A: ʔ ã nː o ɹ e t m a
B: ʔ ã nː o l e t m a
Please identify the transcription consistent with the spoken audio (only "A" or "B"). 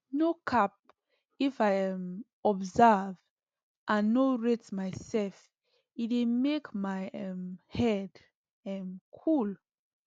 A